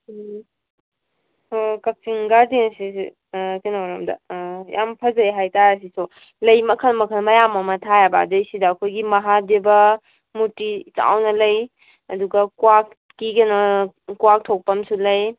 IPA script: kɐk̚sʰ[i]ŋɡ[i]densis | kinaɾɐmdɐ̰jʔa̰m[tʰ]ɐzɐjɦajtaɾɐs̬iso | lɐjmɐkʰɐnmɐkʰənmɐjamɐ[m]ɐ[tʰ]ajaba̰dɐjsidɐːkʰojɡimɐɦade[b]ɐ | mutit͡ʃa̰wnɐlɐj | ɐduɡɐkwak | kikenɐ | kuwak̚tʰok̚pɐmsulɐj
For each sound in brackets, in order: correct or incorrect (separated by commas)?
correct, incorrect, incorrect, correct, correct, correct